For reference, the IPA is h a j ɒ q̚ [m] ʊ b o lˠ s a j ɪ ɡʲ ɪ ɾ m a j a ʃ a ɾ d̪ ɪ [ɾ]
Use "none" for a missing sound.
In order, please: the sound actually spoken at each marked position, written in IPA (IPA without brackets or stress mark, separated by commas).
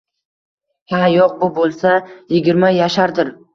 b, ɾ